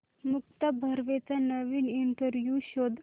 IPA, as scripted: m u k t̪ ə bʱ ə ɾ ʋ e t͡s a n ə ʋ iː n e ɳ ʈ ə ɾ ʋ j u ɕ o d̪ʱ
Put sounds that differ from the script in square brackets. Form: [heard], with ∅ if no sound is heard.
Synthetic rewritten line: m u k t̪ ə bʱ ə ɾ ʋ e t͡s a n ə ʋ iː n [i] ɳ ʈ ə ɾ ʋ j u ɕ o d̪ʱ